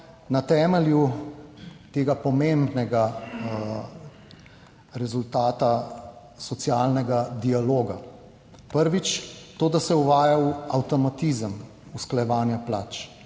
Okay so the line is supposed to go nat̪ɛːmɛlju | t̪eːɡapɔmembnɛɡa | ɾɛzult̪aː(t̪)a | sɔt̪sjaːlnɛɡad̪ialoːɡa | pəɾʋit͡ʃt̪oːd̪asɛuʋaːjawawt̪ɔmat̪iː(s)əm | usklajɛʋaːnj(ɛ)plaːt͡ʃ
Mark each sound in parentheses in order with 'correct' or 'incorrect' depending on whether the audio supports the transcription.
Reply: correct, incorrect, incorrect

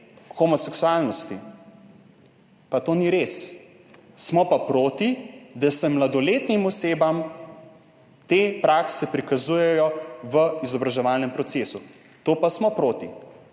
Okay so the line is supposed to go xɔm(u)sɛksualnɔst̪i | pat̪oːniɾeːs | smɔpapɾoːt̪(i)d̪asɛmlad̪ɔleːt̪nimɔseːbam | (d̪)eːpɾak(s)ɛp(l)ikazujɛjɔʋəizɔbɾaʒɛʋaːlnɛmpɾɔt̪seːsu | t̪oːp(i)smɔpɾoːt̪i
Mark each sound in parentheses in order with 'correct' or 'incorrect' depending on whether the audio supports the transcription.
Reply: incorrect, correct, incorrect, correct, incorrect, incorrect

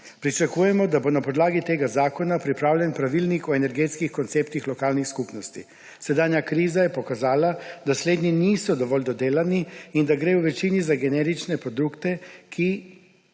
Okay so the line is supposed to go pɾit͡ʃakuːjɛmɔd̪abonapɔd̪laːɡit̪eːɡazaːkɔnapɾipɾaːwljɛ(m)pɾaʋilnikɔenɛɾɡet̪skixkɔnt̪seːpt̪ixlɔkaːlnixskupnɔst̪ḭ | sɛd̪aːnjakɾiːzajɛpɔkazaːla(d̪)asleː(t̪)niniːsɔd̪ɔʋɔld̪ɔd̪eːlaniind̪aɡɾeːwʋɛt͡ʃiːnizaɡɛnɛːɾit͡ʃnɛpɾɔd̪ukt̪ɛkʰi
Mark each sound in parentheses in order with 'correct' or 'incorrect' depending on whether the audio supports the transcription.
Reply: incorrect, correct, incorrect

